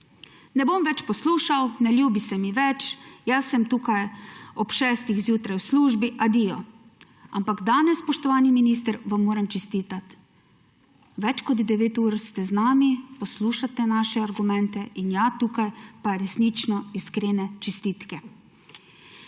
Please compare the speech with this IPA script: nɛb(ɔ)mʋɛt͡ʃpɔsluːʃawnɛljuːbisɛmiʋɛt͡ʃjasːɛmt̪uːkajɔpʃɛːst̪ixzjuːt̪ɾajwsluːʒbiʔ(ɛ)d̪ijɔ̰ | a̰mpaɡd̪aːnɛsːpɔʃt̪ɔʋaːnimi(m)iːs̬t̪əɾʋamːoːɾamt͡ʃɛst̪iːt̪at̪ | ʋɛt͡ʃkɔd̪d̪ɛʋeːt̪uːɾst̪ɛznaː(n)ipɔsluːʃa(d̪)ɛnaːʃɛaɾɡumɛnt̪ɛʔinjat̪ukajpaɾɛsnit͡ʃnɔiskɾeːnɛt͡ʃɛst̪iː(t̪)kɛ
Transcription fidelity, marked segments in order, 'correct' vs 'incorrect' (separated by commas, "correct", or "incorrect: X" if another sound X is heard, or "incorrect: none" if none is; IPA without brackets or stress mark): incorrect: o, incorrect: a, incorrect: n, incorrect: m, incorrect: t̪, correct